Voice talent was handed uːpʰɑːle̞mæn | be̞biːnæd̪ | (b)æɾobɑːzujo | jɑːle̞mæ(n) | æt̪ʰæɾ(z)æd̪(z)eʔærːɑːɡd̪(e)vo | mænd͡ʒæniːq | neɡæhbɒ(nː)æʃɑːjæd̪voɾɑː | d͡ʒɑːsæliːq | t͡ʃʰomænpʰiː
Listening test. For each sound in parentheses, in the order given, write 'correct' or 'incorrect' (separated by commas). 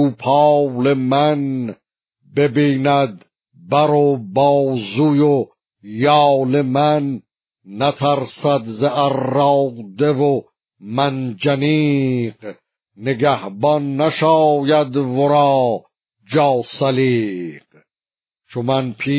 correct, incorrect, incorrect, correct, correct, correct